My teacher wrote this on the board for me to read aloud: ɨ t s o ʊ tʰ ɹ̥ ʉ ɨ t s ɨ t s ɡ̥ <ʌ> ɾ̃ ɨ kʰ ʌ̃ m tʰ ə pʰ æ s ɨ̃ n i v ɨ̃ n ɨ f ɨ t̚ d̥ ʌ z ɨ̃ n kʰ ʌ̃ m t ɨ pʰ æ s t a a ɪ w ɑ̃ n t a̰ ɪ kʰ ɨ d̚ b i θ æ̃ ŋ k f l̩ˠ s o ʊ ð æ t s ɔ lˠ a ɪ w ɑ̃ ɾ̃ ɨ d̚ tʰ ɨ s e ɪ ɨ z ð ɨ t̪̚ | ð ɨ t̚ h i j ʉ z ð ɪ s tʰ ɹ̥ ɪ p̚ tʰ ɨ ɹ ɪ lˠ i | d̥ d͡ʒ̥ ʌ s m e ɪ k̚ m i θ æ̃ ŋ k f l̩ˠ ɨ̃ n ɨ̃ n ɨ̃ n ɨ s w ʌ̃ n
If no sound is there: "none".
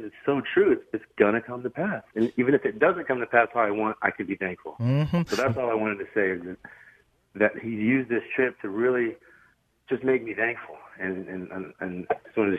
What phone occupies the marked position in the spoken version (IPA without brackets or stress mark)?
ʌ